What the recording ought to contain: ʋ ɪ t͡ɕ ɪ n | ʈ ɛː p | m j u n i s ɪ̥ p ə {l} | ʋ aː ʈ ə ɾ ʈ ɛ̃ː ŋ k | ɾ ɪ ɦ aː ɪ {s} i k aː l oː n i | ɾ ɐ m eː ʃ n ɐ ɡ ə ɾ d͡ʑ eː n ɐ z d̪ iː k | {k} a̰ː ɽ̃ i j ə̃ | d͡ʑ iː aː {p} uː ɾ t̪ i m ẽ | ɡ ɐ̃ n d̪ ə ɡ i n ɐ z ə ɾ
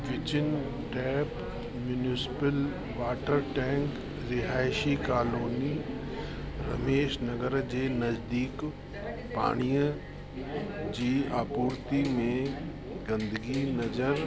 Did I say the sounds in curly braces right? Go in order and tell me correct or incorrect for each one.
correct, incorrect, incorrect, correct

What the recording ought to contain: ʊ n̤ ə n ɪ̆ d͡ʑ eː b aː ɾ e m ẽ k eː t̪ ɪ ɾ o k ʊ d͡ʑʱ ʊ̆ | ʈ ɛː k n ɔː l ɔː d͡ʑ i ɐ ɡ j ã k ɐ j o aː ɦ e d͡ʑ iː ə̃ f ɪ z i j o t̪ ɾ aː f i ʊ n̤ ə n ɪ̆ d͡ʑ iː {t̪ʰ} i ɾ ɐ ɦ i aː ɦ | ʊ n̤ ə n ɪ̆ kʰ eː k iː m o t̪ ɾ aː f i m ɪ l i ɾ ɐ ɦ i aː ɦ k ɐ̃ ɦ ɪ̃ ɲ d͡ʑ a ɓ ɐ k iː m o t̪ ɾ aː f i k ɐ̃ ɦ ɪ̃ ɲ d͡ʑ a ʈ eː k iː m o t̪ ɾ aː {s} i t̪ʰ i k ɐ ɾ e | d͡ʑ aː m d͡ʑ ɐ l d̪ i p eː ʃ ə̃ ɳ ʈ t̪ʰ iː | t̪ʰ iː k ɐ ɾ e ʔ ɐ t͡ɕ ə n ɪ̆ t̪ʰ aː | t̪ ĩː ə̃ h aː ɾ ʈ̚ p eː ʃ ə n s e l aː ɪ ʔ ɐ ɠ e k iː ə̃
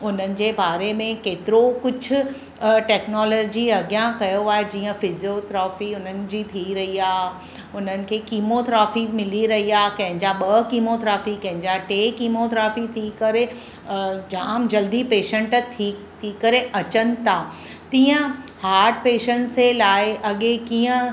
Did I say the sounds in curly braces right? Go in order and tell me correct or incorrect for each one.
correct, incorrect

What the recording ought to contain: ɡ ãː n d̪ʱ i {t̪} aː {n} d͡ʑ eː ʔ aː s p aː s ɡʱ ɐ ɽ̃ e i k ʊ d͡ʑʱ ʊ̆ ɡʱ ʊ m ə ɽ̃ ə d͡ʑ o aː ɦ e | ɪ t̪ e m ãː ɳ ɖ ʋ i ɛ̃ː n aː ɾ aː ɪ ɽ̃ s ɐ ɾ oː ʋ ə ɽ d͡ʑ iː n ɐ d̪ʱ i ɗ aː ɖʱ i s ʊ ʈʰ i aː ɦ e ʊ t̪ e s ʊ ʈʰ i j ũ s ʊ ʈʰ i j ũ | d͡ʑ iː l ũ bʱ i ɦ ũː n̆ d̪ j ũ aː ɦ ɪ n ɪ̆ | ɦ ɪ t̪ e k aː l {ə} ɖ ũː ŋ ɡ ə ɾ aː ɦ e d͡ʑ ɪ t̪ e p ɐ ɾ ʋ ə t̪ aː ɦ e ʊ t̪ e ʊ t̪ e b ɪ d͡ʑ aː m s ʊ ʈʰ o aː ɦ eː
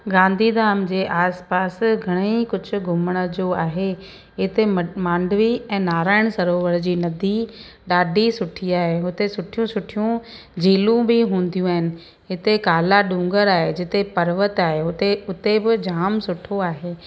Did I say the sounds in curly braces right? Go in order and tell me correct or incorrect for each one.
incorrect, incorrect, incorrect

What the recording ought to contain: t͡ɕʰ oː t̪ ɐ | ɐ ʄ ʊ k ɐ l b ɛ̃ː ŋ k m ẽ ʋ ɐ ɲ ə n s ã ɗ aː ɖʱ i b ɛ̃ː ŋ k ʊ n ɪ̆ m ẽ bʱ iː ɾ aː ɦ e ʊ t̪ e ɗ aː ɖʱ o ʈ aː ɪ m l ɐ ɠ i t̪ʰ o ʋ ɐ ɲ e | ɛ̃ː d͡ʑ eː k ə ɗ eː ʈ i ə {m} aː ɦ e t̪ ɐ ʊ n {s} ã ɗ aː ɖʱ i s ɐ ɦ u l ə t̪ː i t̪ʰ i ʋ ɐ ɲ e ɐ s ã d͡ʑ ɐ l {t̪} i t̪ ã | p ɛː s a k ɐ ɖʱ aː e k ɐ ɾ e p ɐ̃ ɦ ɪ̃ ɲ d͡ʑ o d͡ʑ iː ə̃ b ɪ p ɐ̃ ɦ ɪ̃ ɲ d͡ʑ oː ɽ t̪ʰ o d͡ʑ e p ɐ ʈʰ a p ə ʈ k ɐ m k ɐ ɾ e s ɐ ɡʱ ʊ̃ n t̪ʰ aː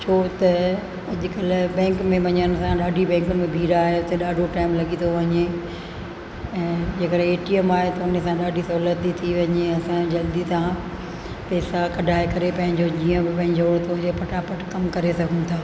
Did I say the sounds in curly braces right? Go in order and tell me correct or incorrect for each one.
correct, correct, incorrect

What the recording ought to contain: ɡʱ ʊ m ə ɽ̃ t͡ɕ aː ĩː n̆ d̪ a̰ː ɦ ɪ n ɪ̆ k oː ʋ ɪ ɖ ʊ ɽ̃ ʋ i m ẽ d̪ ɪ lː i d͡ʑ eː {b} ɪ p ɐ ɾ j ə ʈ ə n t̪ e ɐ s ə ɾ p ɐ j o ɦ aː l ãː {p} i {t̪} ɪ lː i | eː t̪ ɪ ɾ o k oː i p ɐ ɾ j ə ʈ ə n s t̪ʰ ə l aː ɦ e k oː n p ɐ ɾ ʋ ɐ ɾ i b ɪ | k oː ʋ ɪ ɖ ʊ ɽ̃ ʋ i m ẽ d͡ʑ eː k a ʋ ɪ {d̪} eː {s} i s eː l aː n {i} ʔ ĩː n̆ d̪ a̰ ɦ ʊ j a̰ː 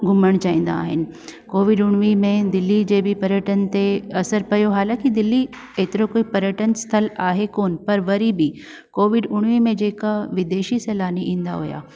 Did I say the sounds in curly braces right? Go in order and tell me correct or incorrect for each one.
correct, incorrect, incorrect, correct, incorrect, correct

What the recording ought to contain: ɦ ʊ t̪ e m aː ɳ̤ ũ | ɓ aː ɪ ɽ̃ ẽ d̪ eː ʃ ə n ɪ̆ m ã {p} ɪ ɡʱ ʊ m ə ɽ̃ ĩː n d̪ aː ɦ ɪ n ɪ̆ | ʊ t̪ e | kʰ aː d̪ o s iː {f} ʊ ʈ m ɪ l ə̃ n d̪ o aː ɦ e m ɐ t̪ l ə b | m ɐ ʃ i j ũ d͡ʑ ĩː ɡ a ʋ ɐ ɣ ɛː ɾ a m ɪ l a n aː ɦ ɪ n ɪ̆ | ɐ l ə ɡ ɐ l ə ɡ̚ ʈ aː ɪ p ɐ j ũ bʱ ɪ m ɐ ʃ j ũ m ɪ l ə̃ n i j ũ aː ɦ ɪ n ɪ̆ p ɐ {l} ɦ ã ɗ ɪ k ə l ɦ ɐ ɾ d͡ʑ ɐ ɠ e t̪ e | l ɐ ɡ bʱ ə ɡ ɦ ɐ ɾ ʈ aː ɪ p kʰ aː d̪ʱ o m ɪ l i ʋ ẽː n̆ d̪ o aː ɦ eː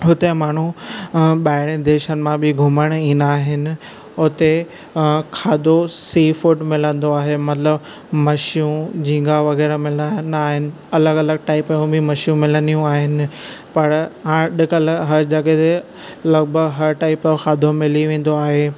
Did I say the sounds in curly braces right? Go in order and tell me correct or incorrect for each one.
incorrect, correct, incorrect

